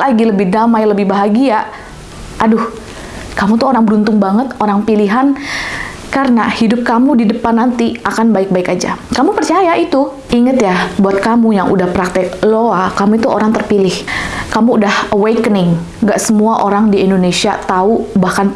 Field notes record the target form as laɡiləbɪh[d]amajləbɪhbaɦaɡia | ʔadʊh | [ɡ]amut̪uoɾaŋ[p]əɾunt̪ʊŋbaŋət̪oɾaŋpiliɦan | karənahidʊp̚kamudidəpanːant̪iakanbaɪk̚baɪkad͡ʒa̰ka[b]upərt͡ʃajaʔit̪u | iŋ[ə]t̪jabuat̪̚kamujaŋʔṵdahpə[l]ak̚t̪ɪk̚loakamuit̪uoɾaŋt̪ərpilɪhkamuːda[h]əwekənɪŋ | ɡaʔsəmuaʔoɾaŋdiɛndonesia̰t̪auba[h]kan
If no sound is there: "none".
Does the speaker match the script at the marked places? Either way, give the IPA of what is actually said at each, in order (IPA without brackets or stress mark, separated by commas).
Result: d, k, b, m, ə, ɾ, h, h